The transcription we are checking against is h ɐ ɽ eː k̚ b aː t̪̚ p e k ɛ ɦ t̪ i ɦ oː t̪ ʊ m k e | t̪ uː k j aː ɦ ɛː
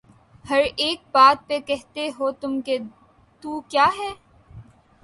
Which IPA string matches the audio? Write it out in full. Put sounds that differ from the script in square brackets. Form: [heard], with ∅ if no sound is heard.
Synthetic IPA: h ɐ [ɾ] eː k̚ b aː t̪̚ p e k ɛ ɦ t̪ [e] ɦ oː t̪ ʊ m k e | t̪ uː k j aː ɦ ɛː